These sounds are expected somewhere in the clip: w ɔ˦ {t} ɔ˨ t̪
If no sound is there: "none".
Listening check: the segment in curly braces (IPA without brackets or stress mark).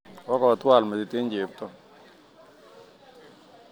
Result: k